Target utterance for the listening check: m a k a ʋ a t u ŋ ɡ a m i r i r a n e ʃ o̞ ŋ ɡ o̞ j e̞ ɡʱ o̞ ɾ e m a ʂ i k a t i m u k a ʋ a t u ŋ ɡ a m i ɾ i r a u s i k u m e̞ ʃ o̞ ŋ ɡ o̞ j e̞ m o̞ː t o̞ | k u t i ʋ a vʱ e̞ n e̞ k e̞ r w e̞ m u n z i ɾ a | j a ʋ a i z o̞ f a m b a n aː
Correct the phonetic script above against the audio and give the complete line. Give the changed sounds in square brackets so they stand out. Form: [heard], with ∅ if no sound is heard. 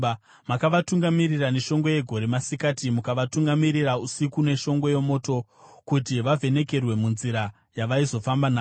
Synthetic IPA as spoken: m a k a ʋ a t u ŋ ɡ a m i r i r a n e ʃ o̞ ŋ ɡ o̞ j e̞ ɡʱ o̞ ɾ e m a [s] i k a t i m u k a ʋ a t u ŋ ɡ a m i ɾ i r a u s i k u [n] e̞ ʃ o̞ ŋ ɡ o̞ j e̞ m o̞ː t o̞ | k u t i ʋ a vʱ e̞ n e̞ k e̞ r w e̞ m u n z i ɾ a | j a ʋ a i z o̞ f a m b a n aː